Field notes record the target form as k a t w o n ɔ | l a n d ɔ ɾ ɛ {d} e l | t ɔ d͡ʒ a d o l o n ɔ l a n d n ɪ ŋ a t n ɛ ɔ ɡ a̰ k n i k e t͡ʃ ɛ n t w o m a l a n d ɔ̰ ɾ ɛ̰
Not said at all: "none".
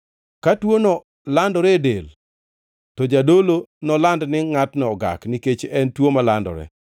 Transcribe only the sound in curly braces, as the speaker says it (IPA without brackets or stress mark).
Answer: d